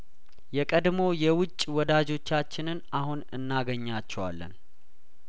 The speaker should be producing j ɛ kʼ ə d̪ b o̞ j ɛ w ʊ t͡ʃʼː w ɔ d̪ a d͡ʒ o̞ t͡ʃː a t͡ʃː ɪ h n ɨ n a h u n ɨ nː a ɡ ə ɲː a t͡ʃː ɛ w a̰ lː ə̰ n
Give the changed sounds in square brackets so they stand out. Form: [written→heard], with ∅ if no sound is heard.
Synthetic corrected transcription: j ɛ kʼ ə d̪ [b→m] o̞ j ɛ w ʊ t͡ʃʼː w ɔ d̪ a d͡ʒ o̞ t͡ʃː a t͡ʃː ɪ [h→∅] n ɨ n a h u n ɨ nː a ɡ ə ɲː a t͡ʃː ɛ w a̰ lː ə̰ n